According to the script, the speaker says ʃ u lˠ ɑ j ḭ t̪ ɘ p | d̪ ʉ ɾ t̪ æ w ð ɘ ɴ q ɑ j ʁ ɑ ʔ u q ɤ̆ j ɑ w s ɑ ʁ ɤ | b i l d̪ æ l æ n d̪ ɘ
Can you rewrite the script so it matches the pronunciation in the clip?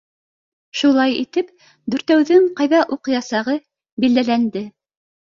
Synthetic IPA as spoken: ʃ u lˠ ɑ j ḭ t̪ ɘ p | d̪ ʉ ɾ t̪ æ w ð ɘ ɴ q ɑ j ð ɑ ʔ u q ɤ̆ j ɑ s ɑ ʁ ɤ | b i l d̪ æ l æ n d̪ ɘ